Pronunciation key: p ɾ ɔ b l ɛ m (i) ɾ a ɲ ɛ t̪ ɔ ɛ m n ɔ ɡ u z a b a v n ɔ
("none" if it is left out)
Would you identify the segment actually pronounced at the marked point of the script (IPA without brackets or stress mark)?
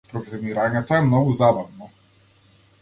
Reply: i